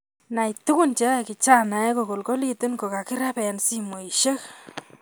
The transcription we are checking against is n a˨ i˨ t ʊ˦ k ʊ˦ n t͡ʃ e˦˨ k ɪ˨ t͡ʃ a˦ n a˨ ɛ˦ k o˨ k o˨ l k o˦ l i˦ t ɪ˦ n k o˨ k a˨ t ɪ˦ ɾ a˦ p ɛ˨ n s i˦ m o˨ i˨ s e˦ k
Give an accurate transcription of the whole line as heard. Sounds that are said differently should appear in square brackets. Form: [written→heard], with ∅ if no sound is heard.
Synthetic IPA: n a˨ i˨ t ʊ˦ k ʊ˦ n t͡ʃ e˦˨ k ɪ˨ t͡ʃ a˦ n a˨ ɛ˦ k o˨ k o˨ l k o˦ l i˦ t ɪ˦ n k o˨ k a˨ [t→k] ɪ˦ ɾ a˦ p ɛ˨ n s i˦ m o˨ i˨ [s→ʃ] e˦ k